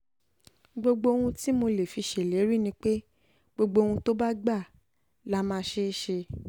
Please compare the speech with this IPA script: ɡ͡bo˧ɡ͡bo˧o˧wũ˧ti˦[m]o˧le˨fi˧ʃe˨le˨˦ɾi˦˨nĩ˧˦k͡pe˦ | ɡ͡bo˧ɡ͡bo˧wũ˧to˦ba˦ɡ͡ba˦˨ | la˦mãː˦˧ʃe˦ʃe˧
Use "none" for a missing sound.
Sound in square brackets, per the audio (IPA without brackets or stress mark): m